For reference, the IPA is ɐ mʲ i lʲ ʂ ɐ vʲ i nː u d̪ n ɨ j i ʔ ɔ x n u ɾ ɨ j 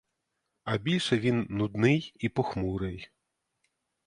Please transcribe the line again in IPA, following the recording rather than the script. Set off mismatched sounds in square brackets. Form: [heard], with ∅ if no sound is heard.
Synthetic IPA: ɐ [bʲ] i lʲ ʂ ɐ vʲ i nː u d̪ n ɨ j i [p] ɔ x [m] u ɾ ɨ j

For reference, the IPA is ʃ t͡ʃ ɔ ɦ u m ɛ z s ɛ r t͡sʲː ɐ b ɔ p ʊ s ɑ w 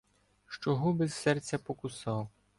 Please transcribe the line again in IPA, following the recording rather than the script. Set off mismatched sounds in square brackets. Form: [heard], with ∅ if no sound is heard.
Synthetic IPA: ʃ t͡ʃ ɔ ɦ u [b] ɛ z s ɛ r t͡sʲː ɐ [p] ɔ [k] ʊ s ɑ w

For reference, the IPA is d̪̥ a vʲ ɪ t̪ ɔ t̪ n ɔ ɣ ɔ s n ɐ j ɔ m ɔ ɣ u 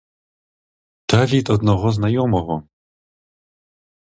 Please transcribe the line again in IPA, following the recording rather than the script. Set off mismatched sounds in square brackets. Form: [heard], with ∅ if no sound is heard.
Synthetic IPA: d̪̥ a vʲ [i] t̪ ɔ [d̪] n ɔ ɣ ɔ [z] n [a] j ɔ m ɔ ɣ [ɔ]

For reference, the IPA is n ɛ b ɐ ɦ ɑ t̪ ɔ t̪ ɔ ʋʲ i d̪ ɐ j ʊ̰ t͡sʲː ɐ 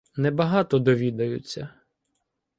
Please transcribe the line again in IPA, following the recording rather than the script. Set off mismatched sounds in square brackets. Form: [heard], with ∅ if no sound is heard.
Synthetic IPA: n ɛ b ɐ ɦ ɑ t̪ ɔ [d̪] ɔ ʋʲ i d̪ ɐ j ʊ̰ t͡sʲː ɐ

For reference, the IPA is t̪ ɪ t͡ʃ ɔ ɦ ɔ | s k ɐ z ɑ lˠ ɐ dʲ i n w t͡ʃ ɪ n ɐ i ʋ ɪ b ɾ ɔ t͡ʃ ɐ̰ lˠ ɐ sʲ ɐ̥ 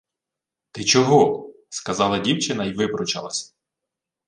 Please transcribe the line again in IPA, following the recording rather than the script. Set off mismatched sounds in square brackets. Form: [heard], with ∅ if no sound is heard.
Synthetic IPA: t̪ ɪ t͡ʃ ɔ ɦ ɔ | s k ɐ z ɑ lˠ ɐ dʲ i [∅] w t͡ʃ ɪ n ɐ i ʋ ɪ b ɾ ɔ t͡ʃ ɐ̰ lˠ ɐ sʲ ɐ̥

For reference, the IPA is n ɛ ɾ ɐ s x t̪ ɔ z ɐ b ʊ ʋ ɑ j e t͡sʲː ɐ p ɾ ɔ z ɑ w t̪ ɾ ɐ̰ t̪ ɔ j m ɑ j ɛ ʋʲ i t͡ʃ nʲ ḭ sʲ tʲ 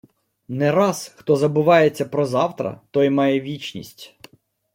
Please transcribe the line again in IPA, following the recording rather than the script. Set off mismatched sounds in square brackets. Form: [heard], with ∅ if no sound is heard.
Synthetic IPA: n ɛ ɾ [ɑ] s x t̪ ɔ z ɐ b ʊ ʋ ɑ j e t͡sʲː ɐ p ɾ ɔ z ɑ w t̪ ɾ ɐ̰ t̪ ɔ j m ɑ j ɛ ʋʲ i t͡ʃ nʲ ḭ sʲ tʲ

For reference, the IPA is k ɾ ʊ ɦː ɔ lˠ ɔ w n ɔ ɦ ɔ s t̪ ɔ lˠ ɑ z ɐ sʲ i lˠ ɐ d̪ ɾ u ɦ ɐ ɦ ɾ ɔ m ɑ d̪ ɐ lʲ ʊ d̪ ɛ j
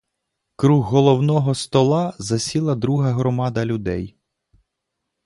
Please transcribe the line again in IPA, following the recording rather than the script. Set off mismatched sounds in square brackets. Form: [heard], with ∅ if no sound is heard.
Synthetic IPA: k ɾ [u] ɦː ɔ lˠ ɔ w n ɔ ɦ ɔ s t̪ ɔ lˠ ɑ z ɐ sʲ i lˠ ɐ d̪ ɾ u ɦ ɐ ɦ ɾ ɔ m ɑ d̪ ɐ lʲ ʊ d̪ ɛ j

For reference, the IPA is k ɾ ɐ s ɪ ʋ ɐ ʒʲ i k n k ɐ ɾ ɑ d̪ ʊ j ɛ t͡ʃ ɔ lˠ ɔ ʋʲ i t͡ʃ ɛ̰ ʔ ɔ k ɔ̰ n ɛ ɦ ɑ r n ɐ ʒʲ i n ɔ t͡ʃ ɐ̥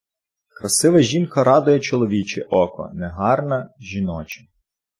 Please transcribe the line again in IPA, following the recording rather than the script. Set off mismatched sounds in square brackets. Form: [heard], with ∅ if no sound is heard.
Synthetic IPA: k ɾ ɐ s ɪ ʋ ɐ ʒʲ i [∅] n k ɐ ɾ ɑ d̪ ʊ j ɛ t͡ʃ ɔ lˠ ɔ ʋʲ i t͡ʃ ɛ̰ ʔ ɔ k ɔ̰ n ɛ ɦ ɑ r n ɐ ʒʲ i n ɔ t͡ʃ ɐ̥

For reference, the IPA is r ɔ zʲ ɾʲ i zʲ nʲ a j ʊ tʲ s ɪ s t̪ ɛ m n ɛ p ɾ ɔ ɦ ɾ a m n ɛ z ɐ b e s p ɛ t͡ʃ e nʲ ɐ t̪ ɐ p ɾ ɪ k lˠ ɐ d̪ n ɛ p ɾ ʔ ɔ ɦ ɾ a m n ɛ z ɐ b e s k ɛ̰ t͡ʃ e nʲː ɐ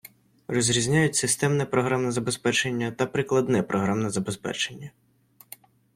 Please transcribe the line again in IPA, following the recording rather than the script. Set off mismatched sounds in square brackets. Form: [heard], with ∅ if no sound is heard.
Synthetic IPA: r ɔ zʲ ɾʲ i zʲ nʲ a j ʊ tʲ s ɪ s t̪ ɛ m n ɛ p ɾ ɔ ɦ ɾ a m n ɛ z ɐ b e s p ɛ t͡ʃ e [nʲː] ɐ t̪ ɐ p ɾ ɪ k lˠ ɐ d̪ n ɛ p ɾ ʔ ɔ ɦ ɾ a m n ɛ z ɐ b e s [p] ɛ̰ t͡ʃ e nʲː ɐ

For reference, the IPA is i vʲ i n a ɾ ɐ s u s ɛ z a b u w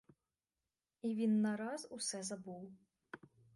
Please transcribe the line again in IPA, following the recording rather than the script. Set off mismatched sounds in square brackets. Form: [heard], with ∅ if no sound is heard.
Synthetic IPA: i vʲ i [nː] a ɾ [a] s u s ɛ z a b u w

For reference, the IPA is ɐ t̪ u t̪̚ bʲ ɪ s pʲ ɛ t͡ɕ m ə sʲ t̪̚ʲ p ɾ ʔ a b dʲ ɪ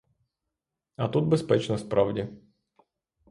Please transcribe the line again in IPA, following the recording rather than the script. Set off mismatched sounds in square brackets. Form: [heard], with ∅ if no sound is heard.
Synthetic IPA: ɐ t̪ u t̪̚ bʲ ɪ s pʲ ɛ t͡ɕ [n] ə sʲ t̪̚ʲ p ɾ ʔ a [v] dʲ ɪ

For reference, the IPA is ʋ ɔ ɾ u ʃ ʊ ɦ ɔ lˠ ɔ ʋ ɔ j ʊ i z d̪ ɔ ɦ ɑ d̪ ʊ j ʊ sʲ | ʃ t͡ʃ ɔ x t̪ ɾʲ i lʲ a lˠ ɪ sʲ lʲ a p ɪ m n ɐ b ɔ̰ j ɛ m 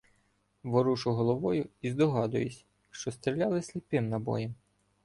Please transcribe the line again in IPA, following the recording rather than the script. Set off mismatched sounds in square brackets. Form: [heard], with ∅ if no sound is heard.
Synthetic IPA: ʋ ɔ ɾ u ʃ ʊ ɦ ɔ lˠ ɔ ʋ ɔ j ʊ i z d̪ ɔ ɦ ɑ d̪ ʊ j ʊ sʲ | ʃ t͡ʃ ɔ [s] t̪ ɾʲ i lʲ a lˠ ɪ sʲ lʲ [i] p ɪ m n ɐ b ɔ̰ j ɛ m

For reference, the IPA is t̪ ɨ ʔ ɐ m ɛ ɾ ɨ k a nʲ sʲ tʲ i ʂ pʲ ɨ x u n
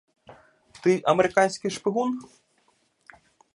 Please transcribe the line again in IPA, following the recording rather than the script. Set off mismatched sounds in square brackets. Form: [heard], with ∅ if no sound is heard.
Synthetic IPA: t̪ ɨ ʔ ɐ m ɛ ɾ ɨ k a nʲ sʲ [kʲ] i ʂ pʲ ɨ [ɣ] u n

